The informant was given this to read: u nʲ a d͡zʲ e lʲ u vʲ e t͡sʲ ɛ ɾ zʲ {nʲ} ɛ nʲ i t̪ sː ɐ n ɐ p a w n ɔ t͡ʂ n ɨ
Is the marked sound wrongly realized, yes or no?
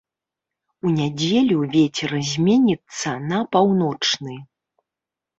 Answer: yes